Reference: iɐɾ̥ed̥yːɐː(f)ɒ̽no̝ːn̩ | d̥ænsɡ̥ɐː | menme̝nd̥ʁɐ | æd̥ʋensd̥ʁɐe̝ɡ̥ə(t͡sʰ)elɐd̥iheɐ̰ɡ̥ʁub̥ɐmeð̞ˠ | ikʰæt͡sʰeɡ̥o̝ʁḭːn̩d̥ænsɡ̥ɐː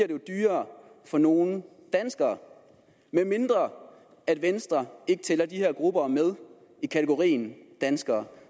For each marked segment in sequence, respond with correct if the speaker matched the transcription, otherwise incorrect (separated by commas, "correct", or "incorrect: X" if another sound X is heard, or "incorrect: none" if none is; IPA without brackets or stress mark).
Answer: correct, correct